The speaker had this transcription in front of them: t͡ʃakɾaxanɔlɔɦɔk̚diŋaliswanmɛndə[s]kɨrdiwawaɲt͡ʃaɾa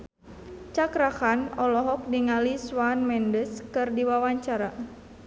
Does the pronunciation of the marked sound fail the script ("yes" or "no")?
no